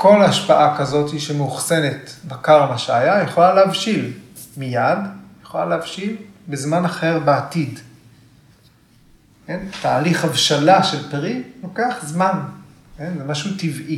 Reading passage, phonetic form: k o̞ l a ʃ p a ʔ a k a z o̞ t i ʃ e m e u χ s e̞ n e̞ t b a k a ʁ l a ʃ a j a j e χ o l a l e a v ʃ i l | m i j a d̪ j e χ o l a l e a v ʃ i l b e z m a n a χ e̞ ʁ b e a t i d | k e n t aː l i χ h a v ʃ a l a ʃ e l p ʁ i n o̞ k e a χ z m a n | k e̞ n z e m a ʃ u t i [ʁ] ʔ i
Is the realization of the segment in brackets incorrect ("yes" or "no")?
yes